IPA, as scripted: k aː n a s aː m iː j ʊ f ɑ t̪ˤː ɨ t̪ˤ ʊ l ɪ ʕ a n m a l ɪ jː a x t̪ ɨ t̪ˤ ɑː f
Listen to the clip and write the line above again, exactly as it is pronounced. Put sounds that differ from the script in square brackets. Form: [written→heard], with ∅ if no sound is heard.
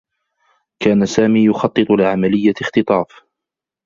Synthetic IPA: k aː n a s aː m iː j ʊ [f→x] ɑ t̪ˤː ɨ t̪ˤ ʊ l ɪ ʕ a [n→∅] m a l ɪ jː a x t̪ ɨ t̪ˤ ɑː f